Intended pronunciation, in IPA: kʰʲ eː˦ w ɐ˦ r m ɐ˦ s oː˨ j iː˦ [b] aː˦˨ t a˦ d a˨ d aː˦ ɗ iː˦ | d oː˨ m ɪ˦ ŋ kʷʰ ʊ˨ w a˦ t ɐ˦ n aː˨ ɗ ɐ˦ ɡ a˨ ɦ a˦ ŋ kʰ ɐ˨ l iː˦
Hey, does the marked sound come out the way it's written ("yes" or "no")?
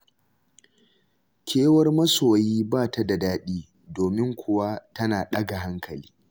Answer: yes